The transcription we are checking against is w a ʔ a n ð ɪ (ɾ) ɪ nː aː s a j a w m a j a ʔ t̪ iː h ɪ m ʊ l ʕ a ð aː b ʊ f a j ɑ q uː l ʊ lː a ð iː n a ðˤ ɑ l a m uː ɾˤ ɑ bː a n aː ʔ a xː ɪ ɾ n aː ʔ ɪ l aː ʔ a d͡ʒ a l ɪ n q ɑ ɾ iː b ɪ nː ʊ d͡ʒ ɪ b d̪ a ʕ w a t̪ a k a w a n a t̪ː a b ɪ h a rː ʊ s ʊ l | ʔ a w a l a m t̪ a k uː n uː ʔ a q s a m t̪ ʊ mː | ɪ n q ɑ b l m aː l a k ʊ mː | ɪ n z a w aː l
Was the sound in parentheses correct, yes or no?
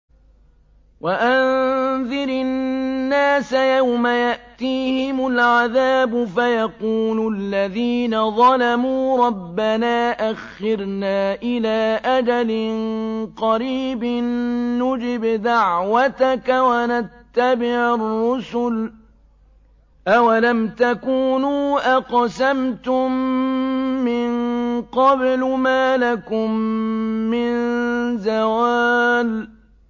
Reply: yes